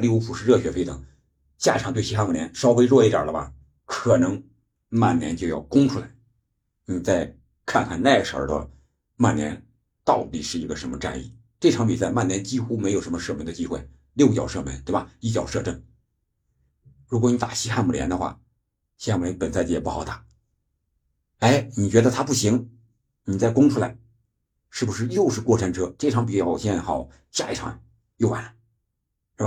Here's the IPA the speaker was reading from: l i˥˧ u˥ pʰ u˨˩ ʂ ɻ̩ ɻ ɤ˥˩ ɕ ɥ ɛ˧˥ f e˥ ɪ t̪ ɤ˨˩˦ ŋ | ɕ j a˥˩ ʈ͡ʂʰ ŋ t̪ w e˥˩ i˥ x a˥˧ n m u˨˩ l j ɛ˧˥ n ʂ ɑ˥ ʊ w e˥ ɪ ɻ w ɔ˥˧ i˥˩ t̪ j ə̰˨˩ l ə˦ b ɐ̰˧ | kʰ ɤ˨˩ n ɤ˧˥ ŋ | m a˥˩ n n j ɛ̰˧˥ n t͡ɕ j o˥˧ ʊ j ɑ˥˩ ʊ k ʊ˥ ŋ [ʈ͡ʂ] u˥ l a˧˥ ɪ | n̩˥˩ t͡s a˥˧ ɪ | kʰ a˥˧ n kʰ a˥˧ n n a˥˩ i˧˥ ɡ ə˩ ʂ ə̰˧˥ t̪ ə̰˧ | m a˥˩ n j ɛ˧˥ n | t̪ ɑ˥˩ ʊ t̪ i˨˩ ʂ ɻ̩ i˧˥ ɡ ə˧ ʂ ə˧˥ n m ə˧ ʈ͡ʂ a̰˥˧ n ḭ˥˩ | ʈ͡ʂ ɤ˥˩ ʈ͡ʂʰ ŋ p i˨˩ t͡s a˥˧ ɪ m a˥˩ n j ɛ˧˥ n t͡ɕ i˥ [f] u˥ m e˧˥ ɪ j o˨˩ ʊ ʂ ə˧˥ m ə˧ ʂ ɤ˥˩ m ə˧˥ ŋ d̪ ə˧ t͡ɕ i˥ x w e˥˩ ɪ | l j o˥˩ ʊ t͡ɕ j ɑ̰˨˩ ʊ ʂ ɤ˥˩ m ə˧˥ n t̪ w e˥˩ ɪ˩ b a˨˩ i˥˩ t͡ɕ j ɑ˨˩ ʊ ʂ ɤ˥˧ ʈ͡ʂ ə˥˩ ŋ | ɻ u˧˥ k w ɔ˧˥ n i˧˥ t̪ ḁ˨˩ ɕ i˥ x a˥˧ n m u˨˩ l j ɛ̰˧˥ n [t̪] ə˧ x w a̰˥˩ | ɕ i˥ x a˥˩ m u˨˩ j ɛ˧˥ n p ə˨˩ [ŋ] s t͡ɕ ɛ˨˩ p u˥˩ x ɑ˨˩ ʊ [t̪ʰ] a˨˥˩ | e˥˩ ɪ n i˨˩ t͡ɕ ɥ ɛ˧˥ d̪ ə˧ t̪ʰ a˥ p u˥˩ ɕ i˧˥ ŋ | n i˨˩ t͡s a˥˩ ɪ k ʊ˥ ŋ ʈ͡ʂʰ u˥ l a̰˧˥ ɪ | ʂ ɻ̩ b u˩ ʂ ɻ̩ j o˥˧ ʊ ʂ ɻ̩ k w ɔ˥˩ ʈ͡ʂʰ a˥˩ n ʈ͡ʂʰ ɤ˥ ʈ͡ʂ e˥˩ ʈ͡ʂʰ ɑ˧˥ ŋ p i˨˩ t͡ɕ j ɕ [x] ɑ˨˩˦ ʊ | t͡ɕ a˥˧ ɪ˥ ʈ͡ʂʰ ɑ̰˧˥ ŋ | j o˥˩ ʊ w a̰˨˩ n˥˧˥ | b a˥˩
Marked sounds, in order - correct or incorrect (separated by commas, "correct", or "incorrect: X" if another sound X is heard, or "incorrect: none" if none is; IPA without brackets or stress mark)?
incorrect: ʈ͡ʂʰ, incorrect: x, incorrect: d̪, incorrect: n, incorrect: t̪, correct